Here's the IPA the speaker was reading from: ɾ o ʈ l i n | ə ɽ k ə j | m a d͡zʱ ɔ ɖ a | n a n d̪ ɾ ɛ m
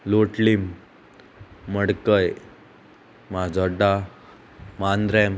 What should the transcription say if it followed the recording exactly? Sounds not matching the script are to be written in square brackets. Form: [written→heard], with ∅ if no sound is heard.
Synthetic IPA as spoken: [ɾ→l] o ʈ l i [n→m] | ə ɽ k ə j | m a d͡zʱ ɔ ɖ a | [n→m] a n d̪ ɾ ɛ m